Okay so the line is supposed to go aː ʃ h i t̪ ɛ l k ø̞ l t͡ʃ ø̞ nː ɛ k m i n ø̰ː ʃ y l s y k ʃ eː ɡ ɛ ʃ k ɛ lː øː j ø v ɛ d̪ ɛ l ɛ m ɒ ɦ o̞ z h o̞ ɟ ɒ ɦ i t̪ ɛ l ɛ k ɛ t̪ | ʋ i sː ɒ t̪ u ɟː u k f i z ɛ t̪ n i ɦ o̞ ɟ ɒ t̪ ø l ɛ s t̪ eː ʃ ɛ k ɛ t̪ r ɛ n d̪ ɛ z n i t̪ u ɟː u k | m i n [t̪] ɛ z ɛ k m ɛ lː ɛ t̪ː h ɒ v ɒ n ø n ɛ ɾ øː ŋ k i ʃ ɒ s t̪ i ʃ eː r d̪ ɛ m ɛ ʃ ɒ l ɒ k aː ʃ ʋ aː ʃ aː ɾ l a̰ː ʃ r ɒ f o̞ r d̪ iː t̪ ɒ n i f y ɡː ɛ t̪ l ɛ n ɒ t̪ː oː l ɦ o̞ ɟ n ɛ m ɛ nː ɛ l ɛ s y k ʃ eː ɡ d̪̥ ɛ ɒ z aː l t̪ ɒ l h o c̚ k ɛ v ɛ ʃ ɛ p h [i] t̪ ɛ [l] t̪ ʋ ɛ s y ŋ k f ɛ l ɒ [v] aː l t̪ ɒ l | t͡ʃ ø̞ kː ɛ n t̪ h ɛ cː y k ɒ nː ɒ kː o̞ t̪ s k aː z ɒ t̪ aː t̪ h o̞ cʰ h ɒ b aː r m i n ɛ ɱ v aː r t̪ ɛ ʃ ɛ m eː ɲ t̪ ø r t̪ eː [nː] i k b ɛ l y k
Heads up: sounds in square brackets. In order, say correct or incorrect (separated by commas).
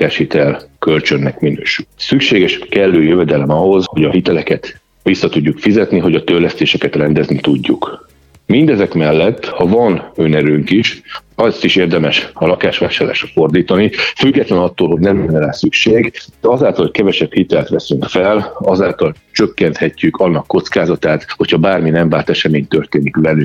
incorrect, correct, correct, incorrect, incorrect